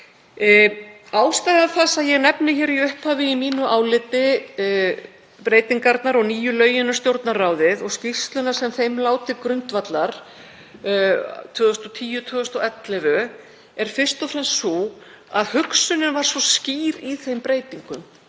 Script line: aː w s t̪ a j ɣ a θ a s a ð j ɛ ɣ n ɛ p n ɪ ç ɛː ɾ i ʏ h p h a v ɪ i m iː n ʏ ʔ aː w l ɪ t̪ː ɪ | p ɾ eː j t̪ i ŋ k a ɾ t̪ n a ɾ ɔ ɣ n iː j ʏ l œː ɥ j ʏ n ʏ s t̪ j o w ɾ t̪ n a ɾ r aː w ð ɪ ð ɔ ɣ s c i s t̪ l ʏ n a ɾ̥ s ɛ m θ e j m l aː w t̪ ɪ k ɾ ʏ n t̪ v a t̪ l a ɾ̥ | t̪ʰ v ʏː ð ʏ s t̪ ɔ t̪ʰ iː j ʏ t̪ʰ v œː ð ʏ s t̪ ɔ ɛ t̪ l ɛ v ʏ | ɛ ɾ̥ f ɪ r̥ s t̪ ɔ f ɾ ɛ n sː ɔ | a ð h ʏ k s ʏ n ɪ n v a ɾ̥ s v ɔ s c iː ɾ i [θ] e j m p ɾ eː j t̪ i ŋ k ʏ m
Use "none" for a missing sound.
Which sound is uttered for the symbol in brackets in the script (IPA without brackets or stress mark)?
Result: θ